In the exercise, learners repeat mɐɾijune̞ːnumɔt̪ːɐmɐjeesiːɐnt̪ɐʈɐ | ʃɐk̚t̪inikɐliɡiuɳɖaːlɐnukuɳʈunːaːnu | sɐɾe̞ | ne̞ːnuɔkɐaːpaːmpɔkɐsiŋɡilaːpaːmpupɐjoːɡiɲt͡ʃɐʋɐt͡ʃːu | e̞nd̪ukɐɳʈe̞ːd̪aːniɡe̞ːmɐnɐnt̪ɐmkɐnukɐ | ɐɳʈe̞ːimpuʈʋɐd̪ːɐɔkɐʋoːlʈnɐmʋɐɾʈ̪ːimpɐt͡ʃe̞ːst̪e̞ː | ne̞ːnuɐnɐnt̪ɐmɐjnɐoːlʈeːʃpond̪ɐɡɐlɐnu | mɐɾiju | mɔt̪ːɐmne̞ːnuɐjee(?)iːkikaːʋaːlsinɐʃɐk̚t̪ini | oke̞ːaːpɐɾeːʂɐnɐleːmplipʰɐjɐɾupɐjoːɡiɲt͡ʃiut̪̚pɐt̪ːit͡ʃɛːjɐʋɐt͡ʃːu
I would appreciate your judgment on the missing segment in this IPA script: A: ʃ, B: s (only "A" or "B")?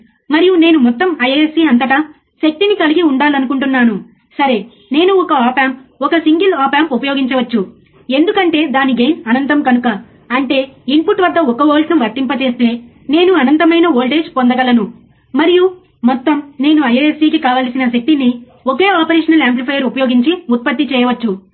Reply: B